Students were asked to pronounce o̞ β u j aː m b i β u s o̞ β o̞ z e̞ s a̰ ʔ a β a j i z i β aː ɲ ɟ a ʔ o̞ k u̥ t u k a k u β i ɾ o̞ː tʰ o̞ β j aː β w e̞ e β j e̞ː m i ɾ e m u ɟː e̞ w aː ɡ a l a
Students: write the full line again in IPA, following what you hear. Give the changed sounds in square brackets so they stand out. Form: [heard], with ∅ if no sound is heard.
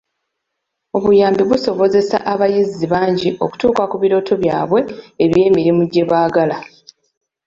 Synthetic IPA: o̞ β u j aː m b i β u s o̞ β o̞ z e̞ s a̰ ʔ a β a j i z i β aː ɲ ɟ [i] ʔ o̞ k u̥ t [uː] k a k u β i ɾ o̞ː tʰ o̞ β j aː β w e̞ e β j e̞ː m i ɾ [i] m u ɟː e̞ [β] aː ɡ a l a